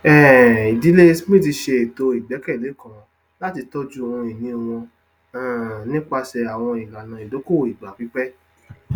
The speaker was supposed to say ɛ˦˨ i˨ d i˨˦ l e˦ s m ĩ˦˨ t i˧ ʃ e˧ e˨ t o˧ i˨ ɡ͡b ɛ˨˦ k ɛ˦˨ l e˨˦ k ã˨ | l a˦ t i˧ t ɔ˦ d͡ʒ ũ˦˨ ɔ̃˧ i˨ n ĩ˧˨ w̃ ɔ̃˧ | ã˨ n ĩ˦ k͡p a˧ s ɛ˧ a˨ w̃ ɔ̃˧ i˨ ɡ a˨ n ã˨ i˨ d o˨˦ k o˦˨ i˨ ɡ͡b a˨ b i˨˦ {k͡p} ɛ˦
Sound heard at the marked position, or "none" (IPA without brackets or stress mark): k͡p